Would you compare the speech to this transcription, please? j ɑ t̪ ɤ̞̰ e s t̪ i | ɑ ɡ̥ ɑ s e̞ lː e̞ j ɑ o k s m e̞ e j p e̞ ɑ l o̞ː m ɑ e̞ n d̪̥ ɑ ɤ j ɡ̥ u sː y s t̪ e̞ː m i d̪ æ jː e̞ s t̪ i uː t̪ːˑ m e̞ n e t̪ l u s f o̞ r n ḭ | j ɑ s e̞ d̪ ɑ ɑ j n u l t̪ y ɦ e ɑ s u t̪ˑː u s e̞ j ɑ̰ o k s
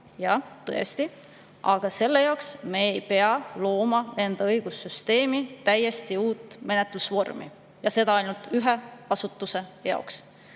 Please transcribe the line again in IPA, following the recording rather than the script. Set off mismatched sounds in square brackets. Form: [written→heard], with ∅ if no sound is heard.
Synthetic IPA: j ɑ t̪ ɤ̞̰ e s t̪ i | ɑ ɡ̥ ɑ s e̞ lː e̞ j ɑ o k s m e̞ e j p e̞ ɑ l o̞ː m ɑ e̞ n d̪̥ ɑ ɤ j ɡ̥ u sː y s t̪ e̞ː m i [d̪→t̪] æ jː e̞ s t̪ i uː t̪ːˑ m e̞ n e t̪ l u s [f→v] o̞ r [n→m] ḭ | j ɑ s e̞ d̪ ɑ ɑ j n u l t̪ y ɦ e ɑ s u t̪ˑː u s e̞ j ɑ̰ o k s

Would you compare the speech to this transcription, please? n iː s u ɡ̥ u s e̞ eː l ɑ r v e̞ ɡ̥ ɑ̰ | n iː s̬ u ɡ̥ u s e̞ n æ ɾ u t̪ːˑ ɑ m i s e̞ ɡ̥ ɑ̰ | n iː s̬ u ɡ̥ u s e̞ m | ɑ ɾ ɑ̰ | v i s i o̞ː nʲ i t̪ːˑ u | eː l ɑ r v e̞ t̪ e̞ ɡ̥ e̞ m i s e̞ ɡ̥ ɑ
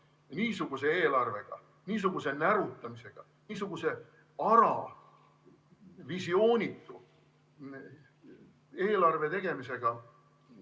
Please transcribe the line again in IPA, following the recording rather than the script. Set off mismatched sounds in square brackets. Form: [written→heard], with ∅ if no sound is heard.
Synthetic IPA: n iː s u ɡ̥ u s e̞ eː l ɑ r v e̞ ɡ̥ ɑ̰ | n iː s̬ u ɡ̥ u s e̞ n æ ɾ u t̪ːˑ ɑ m i s e̞ ɡ̥ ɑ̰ | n iː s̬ u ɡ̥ u s e̞ [m→∅] | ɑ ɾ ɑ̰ | v i s i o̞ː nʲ i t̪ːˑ u | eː l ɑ r v e̞ t̪ e̞ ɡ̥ e̞ m i s e̞ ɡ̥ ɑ

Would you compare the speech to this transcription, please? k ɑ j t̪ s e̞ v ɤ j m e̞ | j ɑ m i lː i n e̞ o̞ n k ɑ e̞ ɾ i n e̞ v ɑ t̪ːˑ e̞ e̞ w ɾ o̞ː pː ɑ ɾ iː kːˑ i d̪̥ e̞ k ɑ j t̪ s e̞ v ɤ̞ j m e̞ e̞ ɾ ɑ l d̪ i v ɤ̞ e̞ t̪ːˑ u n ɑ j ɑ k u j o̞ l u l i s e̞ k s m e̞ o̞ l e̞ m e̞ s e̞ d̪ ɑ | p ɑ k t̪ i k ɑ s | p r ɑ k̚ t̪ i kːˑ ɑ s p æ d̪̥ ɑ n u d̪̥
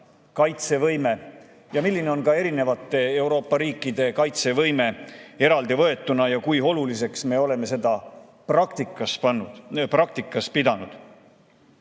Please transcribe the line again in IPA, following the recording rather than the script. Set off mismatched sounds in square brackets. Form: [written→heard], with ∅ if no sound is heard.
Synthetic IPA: k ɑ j t̪ s e̞ v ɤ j m e̞ | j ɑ m i lː i n e̞ o̞ n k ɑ e̞ ɾ i n e̞ v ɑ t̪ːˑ e̞ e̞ w ɾ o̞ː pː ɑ ɾ iː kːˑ i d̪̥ e̞ k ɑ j t̪ s e̞ v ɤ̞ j m e̞ e̞ ɾ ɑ l d̪ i v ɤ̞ e̞ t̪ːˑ u n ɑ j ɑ k u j o̞ l u l i s e̞ k s m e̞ o̞ l e̞ m e̞ s e̞ d̪ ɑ | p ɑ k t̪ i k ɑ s | p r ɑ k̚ t̪ i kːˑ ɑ s p [æ→i] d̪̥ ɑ n u d̪̥

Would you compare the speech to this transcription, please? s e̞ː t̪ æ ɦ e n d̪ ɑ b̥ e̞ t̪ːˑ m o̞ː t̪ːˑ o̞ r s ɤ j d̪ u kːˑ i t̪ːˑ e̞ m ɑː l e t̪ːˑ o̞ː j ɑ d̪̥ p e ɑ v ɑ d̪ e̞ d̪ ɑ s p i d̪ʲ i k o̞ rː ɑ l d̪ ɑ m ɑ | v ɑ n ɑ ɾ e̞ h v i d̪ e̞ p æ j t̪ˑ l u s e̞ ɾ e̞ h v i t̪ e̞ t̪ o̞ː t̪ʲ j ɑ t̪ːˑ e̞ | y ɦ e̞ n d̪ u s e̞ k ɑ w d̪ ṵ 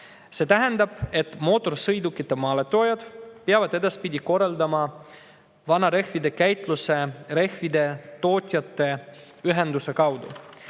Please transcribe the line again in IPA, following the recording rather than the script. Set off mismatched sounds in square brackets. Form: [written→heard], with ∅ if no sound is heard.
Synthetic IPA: s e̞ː t̪ æ ɦ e n d̪ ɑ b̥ e̞ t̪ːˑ m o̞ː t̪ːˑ o̞ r s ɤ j d̪ u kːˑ i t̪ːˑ e̞ m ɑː l e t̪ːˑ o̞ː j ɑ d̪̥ p e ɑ v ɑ d̪ e̞ d̪ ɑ s p i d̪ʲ i k o̞ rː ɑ l d̪ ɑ m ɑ | v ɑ n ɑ ɾ e̞ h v i d̪ e̞ [p→k] æ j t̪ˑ l u s e̞ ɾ e̞ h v i [t̪→d̪] e̞ t̪ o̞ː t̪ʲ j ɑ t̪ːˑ e̞ | y ɦ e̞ n d̪ u s e̞ k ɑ w d̪ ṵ

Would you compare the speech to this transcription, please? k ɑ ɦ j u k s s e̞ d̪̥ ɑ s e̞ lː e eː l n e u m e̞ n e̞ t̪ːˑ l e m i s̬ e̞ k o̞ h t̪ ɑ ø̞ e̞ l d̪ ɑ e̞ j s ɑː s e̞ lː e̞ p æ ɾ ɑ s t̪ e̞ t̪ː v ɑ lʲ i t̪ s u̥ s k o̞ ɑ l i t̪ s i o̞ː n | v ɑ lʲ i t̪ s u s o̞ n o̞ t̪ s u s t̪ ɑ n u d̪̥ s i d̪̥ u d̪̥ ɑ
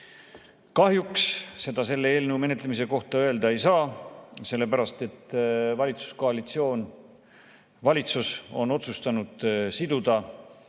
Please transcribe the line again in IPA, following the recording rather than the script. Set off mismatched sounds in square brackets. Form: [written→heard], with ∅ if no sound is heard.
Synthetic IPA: k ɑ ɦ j u k s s e̞ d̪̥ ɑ s e̞ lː e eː l n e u m e̞ n e̞ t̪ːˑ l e m i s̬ e̞ k o̞ h t̪ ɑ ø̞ e̞ l d̪ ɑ e̞ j s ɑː s e̞ lː e̞ p æ ɾ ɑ s t̪ e̞ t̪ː v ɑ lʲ i t̪ s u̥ s k o̞ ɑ l i t̪ s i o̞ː n | v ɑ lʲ i t̪ s u s o̞ n o̞ t̪ s u s t̪ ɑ n u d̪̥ s i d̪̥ u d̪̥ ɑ

